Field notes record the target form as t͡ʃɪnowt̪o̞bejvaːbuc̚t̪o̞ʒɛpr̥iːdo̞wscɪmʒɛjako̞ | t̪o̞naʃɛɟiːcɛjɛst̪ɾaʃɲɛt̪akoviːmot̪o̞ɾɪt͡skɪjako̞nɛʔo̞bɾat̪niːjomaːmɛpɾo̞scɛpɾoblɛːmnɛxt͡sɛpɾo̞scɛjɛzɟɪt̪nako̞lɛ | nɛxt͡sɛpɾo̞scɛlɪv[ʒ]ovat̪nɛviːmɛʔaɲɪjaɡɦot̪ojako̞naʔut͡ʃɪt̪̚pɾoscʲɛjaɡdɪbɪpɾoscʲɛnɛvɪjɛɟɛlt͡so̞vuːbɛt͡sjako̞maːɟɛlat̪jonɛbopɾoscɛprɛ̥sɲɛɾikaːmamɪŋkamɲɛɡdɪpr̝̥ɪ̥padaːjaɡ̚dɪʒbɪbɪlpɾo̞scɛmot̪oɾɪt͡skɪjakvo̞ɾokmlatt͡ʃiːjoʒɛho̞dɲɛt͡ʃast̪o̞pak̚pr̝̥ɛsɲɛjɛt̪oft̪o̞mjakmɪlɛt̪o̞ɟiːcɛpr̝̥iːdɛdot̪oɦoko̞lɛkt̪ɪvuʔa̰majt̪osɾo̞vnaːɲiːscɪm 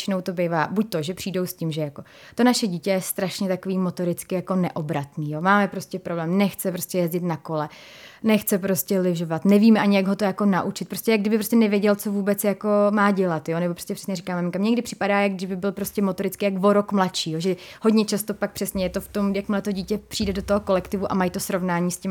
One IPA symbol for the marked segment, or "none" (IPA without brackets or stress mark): ʒ